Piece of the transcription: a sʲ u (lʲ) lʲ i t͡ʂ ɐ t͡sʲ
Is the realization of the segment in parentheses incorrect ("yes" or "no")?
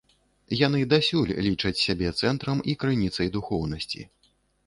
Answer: no